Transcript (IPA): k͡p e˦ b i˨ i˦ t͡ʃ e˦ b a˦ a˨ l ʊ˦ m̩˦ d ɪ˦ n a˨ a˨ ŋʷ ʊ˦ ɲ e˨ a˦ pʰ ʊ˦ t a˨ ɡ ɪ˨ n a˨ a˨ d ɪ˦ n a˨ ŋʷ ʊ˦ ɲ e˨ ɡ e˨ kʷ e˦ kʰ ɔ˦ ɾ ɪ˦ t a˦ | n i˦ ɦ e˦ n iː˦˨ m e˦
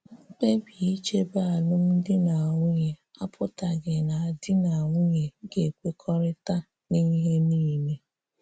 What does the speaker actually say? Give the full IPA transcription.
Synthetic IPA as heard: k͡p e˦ b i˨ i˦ t͡ʃ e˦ b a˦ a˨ l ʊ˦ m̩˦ d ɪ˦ n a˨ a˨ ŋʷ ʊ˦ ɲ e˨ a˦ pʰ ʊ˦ t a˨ ɡ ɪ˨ n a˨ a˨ d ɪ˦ n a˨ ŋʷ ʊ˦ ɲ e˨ ɡ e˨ kʷ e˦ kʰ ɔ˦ ɾ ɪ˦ t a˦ | n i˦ ɦ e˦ n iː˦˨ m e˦

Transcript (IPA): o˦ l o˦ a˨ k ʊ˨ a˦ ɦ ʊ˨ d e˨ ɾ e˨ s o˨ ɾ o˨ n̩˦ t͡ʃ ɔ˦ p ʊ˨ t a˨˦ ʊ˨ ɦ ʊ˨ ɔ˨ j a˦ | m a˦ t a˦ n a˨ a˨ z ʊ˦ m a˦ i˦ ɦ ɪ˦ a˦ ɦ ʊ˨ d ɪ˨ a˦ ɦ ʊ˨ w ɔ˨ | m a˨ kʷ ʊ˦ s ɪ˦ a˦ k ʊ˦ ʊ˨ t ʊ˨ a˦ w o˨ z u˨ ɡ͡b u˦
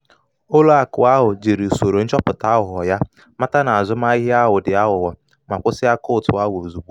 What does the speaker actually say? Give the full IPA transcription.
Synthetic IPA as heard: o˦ l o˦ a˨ k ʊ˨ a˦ ɦ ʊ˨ d͡ʒ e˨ ɾ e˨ s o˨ ɾ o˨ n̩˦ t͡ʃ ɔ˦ p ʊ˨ t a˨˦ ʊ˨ ɦ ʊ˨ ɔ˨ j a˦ | m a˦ t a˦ n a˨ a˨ z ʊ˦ m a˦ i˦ ɦ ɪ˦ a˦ ɦ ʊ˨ d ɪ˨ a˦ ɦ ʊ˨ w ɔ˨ | m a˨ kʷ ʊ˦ s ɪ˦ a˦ k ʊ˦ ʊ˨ t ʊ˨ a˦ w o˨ z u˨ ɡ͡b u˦

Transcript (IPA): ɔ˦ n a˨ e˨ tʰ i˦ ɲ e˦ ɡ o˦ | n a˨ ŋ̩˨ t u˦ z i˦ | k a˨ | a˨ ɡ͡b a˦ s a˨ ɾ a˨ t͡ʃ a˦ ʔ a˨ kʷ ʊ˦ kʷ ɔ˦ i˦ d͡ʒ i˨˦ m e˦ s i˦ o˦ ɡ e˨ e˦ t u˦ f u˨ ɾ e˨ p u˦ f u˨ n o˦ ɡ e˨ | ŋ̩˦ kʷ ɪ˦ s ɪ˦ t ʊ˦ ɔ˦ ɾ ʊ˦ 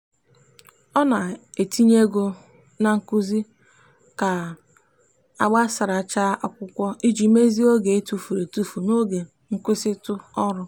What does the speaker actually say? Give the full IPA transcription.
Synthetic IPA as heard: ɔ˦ n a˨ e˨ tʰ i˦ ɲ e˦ ɡ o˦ | n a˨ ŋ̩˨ k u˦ z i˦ | k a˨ | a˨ ɡ͡b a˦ s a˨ ɾ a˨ t͡ʃ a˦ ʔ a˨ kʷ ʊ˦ kʷ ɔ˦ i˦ d͡ʒ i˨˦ m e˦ z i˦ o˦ ɡ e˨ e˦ t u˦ f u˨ ɾ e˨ t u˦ f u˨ n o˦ ɡ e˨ | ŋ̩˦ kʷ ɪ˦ s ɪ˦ t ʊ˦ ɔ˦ ɾ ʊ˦

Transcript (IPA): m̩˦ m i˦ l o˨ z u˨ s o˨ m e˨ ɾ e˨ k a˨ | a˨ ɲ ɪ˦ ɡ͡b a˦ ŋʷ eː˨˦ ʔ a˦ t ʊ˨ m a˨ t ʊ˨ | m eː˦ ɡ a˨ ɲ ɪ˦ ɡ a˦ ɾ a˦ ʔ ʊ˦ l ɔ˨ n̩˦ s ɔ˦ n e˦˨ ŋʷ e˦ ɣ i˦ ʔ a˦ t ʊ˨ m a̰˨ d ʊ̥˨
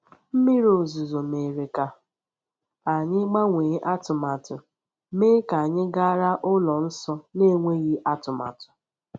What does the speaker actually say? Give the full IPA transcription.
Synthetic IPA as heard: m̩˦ m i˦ ɾ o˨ z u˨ z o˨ m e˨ ɾ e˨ k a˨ | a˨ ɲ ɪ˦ ɡ͡b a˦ ŋʷ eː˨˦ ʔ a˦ t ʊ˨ m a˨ t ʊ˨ | m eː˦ k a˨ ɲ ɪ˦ ɡ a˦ ɾ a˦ ʔ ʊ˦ l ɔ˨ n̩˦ s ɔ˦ n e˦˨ ŋʷ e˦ ɣ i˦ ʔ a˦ t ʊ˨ m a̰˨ t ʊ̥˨

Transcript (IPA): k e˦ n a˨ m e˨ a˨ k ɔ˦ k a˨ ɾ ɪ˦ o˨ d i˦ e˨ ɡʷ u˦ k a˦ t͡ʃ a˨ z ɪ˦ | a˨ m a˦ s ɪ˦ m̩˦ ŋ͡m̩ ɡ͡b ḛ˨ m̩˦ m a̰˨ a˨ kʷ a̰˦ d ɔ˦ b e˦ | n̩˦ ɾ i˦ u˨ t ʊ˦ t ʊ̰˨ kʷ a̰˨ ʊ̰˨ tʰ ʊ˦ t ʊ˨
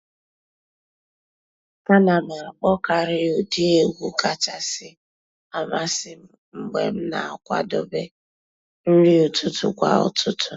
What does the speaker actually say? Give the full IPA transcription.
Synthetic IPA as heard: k a˦ n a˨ m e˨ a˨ k͡p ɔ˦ k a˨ ɾ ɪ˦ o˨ d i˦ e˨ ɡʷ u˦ k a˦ t͡ʃ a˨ s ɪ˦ | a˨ m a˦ s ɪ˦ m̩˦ ŋ͡m̩ ɡ͡b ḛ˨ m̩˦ n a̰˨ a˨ kʷ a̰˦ d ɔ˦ b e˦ | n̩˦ ɾ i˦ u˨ t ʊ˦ t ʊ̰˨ kʷ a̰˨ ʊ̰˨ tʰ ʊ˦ t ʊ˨

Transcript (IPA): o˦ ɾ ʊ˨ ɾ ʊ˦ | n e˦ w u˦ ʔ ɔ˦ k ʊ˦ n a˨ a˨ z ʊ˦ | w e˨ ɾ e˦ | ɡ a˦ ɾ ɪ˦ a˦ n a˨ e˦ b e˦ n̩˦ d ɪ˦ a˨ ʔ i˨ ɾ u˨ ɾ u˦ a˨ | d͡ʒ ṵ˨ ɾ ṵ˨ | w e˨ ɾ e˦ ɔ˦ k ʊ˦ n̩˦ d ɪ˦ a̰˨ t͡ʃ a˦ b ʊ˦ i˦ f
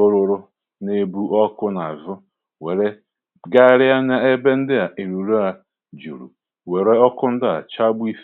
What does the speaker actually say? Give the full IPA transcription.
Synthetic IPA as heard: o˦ ɾ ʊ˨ ɾ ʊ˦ | n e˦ b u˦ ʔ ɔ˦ k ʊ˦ n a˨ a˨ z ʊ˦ | w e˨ ɾ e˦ | ɡ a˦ ɾ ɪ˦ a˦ n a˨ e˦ b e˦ n̩˦ d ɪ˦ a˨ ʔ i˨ ɾ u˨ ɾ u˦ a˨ | d͡ʒ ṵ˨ ɾ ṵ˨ | w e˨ ɾ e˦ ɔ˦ k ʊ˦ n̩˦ d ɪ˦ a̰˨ t͡ʃ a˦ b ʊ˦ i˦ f

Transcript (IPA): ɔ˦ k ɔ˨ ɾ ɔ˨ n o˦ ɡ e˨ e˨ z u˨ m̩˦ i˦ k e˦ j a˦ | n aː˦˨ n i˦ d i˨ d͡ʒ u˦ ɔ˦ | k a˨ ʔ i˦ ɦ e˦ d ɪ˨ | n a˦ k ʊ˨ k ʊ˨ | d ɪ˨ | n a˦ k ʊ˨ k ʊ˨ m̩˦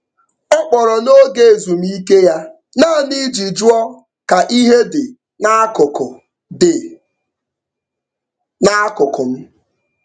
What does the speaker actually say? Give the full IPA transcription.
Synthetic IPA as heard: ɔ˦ k͡p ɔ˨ ɾ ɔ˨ n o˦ ɡ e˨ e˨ z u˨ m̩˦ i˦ k e˦ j a˦ | n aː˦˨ n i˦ d͡ʒ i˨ d͡ʒ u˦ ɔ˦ | k a˨ ʔ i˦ ɦ e˦ d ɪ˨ | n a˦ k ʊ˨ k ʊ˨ | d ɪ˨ | n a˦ k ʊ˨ k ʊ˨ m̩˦

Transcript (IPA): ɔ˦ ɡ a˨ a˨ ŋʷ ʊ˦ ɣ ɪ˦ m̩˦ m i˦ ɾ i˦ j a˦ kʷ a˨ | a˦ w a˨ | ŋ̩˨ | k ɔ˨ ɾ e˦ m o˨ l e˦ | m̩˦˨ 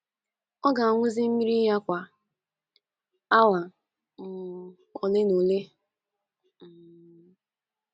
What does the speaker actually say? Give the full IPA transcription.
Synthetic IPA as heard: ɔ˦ ɡ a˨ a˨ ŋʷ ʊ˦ z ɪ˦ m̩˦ m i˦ ɾ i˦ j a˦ kʷ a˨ | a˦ w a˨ | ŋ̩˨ | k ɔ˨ l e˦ n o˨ l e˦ | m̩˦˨

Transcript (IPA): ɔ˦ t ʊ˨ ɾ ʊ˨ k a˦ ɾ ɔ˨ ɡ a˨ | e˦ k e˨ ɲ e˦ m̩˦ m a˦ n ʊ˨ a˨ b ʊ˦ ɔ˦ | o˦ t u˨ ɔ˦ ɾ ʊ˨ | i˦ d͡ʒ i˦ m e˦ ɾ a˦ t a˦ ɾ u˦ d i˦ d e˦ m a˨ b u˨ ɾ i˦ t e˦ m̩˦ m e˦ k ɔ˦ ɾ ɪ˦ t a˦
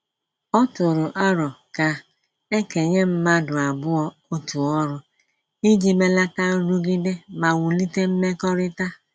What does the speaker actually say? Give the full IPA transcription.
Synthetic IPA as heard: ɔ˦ t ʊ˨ ɾ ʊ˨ ʔ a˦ ɾ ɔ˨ k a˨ | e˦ k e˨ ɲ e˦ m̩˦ m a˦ d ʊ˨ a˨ b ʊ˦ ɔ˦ | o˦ t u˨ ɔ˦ ɾ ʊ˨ | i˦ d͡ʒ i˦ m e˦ l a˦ t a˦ ɾ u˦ ɡ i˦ d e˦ m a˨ w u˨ l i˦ t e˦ m̩˦ m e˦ k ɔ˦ ɾ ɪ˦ t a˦

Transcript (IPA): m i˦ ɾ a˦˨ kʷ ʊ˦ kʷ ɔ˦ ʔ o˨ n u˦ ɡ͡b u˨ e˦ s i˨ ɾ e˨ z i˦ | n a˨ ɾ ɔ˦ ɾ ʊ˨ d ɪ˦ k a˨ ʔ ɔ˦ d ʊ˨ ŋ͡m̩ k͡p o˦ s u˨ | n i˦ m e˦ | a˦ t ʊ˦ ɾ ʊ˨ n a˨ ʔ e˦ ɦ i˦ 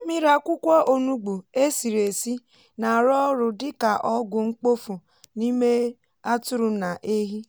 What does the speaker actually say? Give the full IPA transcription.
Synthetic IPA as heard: m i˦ ɾ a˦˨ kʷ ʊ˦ kʷ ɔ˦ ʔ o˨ n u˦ ɡ͡b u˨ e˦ s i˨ ɾ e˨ s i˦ | n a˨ ɾ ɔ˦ ɾ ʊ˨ d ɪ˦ k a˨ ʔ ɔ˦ ɡ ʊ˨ ŋ͡m̩ k͡p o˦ f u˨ | n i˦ m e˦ | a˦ t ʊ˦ ɾ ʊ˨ n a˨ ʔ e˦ ɦ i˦

